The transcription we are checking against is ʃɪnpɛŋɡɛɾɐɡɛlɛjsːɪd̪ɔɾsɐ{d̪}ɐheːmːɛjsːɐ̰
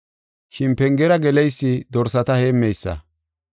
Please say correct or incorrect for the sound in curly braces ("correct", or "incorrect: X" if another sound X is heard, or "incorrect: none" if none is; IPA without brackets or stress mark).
incorrect: t̪